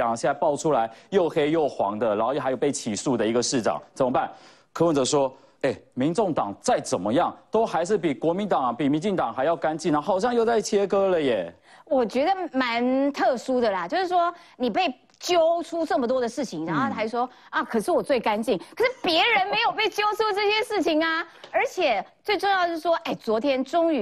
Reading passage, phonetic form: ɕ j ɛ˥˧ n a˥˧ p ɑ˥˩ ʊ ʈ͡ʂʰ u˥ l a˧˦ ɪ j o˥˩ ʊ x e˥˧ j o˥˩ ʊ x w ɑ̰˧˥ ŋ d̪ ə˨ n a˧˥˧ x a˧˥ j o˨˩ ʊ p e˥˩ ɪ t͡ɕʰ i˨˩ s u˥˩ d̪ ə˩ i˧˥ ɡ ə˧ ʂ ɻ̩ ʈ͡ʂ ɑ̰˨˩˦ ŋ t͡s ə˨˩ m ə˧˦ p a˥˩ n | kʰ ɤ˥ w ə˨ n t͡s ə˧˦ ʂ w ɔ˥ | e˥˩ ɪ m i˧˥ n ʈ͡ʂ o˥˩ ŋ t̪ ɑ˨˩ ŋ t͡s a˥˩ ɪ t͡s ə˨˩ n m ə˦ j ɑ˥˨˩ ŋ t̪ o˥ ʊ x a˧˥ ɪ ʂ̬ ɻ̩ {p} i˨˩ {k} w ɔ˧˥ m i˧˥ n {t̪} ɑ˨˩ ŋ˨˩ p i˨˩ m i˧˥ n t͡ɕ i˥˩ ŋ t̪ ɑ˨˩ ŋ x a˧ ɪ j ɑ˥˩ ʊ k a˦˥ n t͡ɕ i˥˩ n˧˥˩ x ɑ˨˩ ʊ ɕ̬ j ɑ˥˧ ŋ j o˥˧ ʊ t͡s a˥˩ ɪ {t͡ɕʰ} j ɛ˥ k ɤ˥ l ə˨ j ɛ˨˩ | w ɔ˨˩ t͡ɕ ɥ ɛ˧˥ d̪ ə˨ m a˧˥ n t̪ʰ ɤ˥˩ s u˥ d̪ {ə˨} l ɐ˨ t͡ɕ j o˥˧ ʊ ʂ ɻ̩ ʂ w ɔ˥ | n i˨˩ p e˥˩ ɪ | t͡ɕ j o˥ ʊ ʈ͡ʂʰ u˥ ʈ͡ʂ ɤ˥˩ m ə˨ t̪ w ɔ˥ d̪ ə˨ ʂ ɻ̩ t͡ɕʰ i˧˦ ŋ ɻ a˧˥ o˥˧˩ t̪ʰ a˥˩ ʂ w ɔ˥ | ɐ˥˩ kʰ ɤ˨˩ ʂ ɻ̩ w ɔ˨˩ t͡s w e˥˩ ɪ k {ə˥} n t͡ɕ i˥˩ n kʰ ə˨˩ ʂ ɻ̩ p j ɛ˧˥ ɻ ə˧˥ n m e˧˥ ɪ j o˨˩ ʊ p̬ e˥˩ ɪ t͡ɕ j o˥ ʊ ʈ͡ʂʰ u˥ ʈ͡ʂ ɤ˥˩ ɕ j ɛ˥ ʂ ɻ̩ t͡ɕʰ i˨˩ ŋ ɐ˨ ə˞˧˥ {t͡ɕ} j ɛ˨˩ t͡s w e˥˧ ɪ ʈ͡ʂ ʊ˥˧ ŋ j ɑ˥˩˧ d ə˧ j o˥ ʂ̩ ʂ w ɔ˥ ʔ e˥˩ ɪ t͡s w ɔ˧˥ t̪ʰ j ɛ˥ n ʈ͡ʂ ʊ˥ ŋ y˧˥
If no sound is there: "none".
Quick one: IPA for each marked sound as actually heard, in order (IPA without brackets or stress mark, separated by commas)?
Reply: p, k, t̪, t͡ɕʰ, ə˨, a˥, t͡ɕʰ